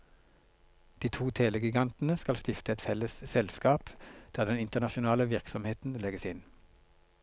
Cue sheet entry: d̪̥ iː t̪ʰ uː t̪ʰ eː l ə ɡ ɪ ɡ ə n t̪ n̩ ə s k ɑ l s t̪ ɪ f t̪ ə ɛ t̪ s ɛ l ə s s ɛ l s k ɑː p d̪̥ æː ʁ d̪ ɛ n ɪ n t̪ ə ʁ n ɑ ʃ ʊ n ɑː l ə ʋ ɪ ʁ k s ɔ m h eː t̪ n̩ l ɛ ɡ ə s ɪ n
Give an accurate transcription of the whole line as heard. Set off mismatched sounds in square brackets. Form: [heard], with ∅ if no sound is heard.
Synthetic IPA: d̪̥ iː t̪ʰ uː t̪ʰ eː l ə ɡ ɪ ɡ [ɑ] n t̪ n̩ ə s k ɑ l s t̪ ɪ f t̪ ə ɛ t̪ [f] ɛ l ə s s ɛ l s k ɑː p d̪̥ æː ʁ d̪ ɛ n ɪ n t̪ ə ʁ n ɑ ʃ ʊ n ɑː l ə ʋ ɪ ʁ k s ɔ m h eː t̪ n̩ l ɛ ɡ ə s ɪ n